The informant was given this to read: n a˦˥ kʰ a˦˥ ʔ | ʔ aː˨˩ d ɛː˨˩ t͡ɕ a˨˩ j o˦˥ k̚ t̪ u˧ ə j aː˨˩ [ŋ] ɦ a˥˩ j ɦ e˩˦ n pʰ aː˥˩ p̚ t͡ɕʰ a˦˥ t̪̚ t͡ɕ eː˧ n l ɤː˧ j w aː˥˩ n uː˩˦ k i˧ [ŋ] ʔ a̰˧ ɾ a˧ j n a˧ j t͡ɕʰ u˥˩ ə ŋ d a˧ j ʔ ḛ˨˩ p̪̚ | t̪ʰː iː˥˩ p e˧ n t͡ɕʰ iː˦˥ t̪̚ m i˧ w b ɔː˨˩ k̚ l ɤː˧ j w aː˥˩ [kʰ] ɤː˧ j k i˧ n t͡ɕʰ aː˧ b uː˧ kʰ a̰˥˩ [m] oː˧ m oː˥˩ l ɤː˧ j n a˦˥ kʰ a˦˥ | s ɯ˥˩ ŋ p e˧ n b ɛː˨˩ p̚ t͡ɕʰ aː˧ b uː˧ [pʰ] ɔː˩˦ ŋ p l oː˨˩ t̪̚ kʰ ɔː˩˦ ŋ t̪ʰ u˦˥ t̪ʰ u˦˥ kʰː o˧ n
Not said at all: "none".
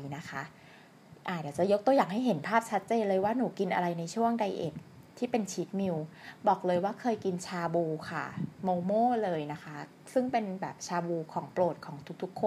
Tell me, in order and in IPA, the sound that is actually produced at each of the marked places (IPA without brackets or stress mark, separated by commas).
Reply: ŋ, n, kʰ, m, kʰ